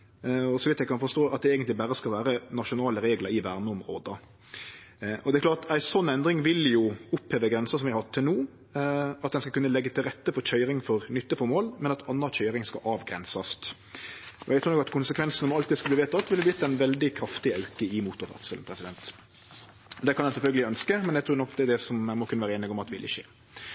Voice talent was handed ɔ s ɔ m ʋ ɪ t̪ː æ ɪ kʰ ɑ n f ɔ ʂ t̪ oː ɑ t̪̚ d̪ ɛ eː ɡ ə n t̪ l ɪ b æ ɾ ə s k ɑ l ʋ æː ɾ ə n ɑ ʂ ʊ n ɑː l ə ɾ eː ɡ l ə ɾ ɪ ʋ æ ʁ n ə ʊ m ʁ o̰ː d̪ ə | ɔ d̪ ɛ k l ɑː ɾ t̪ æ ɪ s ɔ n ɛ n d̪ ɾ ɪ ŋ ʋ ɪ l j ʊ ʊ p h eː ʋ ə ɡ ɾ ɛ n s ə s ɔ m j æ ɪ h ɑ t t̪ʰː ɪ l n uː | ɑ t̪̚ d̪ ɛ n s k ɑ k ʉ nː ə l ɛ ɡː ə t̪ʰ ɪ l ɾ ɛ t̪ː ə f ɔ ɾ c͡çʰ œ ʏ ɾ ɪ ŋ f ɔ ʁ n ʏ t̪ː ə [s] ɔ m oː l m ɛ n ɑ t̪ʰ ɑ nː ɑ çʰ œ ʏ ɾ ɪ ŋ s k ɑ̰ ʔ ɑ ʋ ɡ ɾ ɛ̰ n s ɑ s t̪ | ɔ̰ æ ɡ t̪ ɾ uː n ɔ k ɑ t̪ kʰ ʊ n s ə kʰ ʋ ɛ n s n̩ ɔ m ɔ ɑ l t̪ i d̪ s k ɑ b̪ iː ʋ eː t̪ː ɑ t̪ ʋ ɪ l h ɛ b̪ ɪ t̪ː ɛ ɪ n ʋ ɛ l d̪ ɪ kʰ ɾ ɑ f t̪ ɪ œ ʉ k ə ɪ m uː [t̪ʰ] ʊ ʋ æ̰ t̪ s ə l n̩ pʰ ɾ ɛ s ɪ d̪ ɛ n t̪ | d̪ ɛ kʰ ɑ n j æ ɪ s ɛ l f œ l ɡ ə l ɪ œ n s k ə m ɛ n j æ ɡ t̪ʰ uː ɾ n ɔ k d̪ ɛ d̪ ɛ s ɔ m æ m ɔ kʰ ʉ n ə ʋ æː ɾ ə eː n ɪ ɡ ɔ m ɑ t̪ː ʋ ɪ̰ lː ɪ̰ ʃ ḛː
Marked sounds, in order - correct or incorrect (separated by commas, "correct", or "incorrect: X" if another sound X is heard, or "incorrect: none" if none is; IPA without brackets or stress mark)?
incorrect: f, incorrect: t̪